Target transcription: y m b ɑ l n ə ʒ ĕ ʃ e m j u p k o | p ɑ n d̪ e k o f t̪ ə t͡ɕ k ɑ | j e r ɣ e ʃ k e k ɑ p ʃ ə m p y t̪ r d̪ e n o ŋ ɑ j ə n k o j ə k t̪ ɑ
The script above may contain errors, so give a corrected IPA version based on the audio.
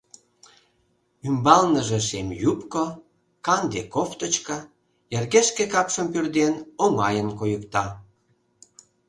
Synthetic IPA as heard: y m b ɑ l n ə ʒ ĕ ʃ e m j u p k o | k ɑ n d̪ e k o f t̪ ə t͡ɕ k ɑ | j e r ɣ e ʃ k e k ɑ p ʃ ə m p y r d̪ e n o ŋ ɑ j ə n k o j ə k t̪ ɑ